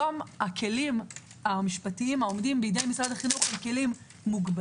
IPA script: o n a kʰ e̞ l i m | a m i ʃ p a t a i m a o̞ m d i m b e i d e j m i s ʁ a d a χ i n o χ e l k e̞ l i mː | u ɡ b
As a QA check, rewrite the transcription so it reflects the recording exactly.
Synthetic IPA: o m a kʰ e̞ l i m | a m i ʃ p a t i i m a o̞ m d i m b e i d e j m i s ʁ a d a χ i n u χ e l k e̞ l i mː | u ɡ b